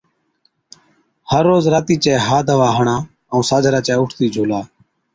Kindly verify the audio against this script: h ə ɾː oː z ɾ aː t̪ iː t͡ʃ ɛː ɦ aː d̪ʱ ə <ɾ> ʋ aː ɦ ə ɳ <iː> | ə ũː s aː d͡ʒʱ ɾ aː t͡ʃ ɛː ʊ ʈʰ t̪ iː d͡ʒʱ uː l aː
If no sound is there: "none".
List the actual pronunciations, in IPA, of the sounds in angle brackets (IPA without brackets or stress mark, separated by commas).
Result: none, aː